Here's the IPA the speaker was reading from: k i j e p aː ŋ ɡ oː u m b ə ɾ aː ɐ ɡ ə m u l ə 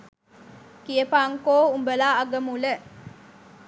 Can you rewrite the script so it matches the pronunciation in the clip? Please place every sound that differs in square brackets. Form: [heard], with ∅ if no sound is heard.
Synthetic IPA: k i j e p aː ŋ [k] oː u m b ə [l] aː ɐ ɡ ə m u l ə